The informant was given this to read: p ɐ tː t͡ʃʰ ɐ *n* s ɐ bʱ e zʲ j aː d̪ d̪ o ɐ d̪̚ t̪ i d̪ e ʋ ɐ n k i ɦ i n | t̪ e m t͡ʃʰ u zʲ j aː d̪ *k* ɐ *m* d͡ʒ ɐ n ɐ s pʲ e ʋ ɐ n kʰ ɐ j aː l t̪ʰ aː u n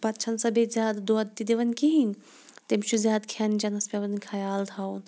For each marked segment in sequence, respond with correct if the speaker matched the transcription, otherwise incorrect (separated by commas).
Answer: correct, incorrect, incorrect